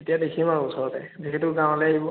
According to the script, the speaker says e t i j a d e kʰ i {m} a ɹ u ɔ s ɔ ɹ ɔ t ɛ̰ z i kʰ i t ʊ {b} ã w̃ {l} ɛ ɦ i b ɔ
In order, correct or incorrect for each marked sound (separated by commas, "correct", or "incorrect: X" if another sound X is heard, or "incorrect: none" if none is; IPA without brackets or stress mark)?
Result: correct, incorrect: ɡ, correct